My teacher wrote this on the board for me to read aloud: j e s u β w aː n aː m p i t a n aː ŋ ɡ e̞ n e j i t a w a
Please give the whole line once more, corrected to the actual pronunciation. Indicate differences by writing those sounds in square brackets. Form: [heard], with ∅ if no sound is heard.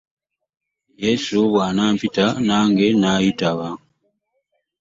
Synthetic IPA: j e s u β w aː n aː m p i t a n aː ŋ ɡ e̞ n [a] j i t a [β] a